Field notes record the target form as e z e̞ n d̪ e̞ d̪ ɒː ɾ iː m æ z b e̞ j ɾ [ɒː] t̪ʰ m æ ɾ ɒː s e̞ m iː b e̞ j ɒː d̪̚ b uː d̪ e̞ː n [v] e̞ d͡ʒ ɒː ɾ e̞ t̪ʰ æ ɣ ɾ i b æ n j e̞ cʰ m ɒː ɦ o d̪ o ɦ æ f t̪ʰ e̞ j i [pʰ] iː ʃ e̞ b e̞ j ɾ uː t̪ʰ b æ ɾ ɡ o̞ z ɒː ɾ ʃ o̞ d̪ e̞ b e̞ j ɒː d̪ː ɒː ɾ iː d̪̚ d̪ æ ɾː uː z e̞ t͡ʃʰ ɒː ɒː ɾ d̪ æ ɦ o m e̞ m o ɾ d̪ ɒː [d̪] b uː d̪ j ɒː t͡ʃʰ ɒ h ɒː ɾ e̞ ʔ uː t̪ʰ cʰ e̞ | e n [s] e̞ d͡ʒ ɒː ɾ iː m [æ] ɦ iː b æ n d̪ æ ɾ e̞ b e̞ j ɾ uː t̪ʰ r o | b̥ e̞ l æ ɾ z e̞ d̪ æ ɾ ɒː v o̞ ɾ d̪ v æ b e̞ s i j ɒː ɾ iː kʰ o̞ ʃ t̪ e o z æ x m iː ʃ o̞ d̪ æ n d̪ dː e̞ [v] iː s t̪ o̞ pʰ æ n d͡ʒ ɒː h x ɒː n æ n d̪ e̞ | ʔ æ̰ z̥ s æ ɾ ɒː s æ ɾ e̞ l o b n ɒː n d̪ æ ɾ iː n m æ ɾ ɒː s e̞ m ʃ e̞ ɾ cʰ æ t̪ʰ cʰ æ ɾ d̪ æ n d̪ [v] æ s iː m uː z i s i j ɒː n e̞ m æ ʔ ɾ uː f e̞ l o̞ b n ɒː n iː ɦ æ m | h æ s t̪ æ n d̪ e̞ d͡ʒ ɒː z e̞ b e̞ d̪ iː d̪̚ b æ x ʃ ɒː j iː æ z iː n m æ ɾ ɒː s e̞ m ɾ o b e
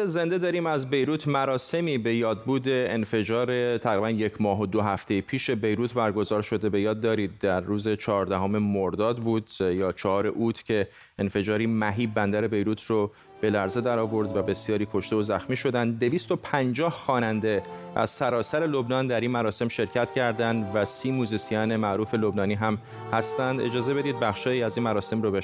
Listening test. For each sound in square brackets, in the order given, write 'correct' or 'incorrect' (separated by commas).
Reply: incorrect, incorrect, correct, correct, incorrect, correct, correct, correct